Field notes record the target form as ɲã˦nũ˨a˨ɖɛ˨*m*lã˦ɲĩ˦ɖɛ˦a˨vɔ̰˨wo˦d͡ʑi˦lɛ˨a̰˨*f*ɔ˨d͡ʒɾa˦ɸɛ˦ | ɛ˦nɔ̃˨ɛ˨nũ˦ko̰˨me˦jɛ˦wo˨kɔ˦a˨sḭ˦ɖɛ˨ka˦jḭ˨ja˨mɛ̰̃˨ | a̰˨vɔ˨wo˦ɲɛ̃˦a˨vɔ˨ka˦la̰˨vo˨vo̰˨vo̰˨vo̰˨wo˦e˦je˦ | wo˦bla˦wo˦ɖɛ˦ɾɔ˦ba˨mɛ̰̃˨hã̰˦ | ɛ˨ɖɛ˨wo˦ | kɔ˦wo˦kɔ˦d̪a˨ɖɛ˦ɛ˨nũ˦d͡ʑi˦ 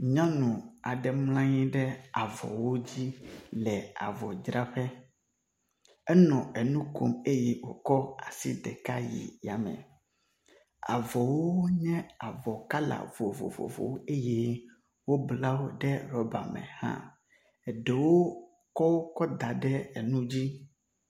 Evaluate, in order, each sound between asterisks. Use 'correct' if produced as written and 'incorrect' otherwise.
correct, incorrect: v

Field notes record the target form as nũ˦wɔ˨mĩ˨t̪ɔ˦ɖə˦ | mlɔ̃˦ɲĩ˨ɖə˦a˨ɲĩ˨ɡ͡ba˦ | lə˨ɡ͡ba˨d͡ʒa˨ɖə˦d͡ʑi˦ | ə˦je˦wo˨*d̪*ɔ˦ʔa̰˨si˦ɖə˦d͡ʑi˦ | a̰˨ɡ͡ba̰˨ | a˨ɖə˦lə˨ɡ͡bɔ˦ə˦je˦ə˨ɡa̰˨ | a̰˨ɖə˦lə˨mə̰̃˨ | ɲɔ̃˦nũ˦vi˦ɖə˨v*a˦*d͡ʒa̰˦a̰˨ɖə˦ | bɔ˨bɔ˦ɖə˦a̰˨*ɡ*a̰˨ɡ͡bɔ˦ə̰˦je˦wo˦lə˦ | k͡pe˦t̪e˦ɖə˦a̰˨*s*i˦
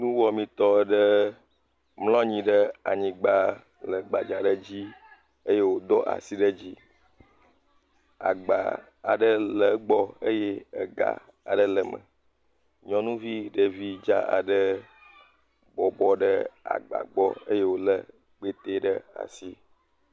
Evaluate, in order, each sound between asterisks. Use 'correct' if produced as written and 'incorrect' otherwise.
correct, incorrect: i˦, incorrect: ɡ͡b, correct

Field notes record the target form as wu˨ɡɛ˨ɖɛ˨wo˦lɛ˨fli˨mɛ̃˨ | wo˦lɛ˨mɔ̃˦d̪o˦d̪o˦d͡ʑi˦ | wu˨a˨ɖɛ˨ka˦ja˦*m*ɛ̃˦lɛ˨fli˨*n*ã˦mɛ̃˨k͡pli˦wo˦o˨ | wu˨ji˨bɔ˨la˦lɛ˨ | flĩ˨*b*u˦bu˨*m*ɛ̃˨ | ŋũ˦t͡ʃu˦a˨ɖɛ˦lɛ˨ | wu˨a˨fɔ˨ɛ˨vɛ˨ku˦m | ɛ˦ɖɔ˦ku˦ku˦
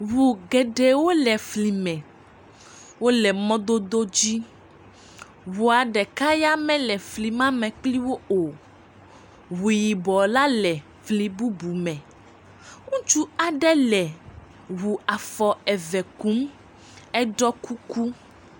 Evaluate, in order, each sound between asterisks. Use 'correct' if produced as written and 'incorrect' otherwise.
correct, incorrect: m, correct, correct

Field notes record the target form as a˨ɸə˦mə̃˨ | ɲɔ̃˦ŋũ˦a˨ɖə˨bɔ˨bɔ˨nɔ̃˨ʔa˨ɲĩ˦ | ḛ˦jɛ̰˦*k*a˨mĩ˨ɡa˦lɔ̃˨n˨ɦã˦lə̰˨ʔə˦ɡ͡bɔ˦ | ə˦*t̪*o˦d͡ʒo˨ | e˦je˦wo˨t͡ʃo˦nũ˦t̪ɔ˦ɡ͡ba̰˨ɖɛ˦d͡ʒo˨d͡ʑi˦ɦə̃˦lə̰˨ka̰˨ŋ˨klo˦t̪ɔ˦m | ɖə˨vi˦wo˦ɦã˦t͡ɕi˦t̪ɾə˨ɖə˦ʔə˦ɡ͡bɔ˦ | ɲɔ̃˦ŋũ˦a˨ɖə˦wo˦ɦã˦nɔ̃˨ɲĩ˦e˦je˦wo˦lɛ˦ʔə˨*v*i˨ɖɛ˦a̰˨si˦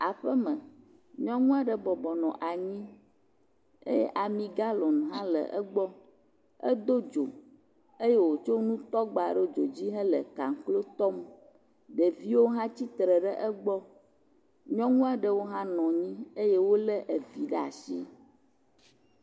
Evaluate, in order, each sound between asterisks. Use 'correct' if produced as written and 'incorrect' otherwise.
incorrect: ʔ, incorrect: d̪, correct

